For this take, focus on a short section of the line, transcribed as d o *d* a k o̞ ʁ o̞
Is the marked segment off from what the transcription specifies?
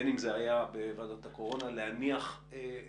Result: yes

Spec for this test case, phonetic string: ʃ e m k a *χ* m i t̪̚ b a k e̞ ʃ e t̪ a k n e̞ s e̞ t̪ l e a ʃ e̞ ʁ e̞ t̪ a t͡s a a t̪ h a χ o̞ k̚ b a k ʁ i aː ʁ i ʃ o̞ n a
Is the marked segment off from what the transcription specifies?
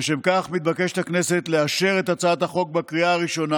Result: no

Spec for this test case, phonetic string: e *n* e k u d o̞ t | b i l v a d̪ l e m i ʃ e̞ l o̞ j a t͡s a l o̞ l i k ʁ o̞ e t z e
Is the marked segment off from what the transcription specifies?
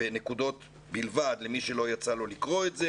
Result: no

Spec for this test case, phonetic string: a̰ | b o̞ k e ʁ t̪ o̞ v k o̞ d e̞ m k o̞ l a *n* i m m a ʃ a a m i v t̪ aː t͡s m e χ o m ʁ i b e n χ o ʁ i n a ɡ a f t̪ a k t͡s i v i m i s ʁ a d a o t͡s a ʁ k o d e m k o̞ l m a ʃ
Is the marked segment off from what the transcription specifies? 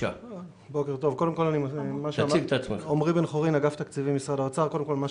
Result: no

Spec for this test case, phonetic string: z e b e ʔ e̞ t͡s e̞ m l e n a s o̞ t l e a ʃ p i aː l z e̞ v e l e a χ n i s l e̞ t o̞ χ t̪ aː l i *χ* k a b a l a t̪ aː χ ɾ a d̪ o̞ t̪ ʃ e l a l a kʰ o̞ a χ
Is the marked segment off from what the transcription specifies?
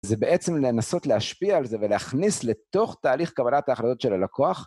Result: no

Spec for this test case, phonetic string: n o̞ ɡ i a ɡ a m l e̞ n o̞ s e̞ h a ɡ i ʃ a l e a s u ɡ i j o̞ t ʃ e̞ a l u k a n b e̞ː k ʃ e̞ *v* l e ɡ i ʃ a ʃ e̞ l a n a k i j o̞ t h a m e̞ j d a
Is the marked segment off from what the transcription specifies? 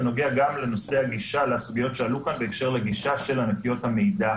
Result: yes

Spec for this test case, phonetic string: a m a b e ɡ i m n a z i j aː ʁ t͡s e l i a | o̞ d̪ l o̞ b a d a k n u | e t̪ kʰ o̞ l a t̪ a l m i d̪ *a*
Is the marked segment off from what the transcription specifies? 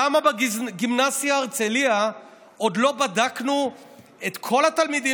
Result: yes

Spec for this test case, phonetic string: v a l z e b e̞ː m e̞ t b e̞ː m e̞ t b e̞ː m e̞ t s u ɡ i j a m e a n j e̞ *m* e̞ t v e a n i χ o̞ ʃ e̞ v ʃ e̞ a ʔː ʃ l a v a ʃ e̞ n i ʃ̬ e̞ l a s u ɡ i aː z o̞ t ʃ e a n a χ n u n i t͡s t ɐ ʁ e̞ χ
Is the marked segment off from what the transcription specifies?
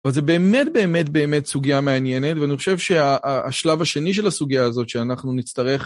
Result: yes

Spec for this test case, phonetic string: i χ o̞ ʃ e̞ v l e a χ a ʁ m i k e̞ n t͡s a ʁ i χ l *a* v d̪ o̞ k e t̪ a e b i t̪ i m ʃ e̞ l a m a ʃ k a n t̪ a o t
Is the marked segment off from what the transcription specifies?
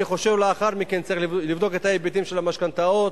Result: yes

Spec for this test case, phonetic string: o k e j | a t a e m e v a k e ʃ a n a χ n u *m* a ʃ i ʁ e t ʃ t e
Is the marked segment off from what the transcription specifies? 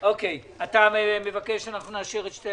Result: yes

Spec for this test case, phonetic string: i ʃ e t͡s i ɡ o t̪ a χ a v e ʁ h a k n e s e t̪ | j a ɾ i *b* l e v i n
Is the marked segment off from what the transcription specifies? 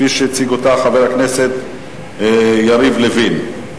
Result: yes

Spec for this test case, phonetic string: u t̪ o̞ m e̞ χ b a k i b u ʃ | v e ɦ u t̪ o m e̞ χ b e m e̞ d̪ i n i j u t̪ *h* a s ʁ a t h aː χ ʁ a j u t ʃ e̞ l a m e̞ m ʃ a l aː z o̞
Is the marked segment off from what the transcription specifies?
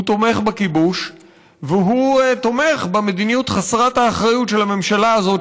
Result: yes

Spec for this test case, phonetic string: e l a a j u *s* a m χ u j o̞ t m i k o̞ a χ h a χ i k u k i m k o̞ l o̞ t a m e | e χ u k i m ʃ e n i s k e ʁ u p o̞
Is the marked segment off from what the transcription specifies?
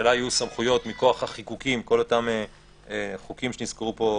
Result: no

